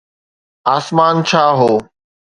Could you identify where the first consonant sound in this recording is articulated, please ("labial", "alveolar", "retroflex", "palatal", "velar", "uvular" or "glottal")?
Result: alveolar